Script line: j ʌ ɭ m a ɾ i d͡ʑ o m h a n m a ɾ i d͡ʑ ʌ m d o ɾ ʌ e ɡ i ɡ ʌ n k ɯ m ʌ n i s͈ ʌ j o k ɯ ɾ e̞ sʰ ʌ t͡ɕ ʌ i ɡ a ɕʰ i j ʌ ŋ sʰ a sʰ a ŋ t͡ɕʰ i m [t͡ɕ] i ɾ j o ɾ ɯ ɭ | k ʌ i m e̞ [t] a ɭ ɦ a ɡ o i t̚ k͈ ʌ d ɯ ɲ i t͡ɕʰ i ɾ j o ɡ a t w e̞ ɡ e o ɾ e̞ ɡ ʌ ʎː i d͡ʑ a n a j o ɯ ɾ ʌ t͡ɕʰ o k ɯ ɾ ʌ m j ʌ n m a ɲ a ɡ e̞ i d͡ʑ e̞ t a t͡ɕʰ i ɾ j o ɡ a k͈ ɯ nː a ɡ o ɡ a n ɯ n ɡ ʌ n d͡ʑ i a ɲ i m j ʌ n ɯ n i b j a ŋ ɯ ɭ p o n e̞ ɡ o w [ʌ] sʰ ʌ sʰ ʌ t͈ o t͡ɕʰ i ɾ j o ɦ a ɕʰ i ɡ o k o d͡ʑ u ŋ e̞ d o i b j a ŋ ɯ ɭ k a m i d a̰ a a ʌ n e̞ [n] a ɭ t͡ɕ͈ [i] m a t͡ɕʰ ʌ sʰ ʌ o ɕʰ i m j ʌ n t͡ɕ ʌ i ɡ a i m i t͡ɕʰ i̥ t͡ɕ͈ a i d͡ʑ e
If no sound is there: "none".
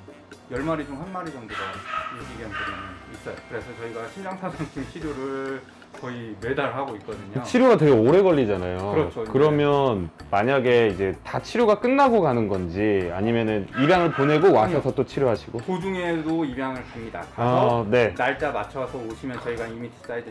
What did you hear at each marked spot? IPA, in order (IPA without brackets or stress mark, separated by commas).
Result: t͡ɕʰ, d, a, n, a